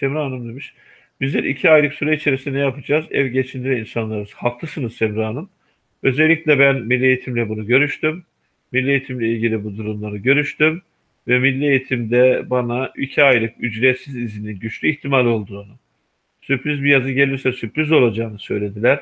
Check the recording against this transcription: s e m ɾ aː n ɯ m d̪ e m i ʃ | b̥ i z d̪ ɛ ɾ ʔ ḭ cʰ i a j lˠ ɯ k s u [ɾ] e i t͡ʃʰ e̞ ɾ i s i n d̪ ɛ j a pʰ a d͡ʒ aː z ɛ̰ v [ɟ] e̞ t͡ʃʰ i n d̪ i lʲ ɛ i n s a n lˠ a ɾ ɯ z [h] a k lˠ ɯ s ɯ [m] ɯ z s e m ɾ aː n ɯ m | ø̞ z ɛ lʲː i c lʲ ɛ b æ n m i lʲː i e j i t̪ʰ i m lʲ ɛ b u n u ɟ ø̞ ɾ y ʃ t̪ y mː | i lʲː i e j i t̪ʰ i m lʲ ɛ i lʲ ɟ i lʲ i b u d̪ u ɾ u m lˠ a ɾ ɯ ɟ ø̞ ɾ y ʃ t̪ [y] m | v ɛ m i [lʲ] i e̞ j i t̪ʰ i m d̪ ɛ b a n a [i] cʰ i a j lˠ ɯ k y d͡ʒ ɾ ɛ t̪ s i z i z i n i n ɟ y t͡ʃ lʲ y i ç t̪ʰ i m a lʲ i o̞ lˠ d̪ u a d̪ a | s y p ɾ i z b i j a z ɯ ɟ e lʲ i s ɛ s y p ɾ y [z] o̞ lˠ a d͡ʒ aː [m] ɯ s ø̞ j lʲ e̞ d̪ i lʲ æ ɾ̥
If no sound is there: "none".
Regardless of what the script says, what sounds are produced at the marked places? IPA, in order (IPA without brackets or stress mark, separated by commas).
ɾ, ɟ, h, n, y, lʲː, i, z, n